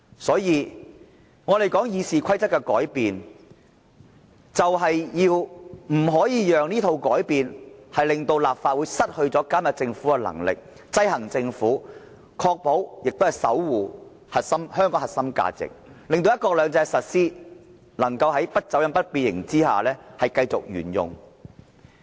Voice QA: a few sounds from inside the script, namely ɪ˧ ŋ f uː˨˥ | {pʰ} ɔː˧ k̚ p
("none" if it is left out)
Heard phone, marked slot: kʰ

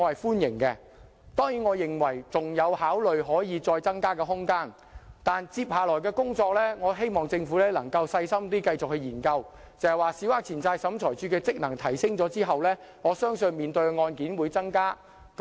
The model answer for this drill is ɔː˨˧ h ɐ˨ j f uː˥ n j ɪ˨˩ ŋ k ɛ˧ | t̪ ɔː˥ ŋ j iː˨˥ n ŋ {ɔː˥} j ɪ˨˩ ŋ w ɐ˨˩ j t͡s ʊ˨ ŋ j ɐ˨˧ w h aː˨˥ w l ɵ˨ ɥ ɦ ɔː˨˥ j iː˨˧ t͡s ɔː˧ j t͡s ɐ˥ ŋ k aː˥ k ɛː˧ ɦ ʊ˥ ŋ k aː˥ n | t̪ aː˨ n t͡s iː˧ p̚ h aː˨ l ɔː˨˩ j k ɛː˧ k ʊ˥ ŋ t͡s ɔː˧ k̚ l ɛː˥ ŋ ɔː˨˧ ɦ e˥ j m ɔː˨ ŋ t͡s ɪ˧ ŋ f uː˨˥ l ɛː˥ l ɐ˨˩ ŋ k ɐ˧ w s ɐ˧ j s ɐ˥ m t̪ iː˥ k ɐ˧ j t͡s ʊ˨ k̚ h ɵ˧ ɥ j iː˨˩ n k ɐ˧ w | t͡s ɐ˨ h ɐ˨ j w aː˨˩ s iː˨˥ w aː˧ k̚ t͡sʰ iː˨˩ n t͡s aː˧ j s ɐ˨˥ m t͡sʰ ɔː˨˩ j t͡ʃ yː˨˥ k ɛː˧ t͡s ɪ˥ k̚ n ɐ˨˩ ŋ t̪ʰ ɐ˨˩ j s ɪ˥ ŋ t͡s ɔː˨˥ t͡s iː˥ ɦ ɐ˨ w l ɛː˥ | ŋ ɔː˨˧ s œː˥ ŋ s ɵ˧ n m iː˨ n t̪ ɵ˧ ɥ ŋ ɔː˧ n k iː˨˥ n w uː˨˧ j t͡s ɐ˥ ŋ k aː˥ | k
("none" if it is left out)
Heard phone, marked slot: ɔː˨˧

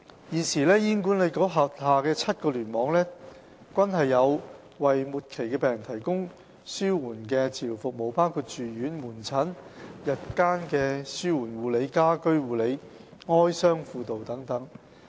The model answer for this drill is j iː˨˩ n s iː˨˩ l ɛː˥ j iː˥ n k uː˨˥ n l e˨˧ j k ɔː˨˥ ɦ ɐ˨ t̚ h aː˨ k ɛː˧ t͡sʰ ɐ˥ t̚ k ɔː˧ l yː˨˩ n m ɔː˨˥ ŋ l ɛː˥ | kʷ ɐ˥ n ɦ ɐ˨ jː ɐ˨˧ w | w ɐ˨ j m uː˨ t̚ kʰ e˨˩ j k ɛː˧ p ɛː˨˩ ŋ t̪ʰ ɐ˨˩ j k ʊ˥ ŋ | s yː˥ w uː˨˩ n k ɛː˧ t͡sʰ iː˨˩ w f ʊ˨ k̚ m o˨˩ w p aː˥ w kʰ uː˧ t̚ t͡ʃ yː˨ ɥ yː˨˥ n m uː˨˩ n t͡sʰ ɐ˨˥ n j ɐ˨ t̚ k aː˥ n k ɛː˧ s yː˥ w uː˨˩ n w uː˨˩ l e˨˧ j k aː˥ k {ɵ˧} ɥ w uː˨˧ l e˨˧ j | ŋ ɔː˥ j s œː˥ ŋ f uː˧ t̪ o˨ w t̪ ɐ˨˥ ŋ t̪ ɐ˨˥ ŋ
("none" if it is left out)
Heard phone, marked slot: ɵ˥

